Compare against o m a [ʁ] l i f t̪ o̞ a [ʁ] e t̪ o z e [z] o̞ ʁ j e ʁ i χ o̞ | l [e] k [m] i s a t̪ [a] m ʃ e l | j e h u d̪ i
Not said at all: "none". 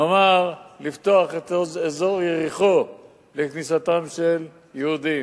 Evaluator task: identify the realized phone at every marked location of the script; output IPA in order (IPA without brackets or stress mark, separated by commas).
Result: ʁ, χ, z, e, n, a